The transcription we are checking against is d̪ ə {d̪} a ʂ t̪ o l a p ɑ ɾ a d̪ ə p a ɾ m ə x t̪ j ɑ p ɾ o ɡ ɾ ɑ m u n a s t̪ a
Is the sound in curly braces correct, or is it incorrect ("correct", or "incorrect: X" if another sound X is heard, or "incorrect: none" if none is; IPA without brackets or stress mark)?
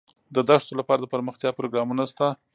correct